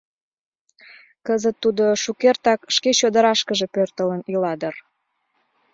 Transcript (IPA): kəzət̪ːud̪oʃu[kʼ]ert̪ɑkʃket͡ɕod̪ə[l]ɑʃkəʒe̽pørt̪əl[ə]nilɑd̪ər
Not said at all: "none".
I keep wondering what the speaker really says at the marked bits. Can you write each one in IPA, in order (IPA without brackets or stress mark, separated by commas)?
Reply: k, ɾ, ə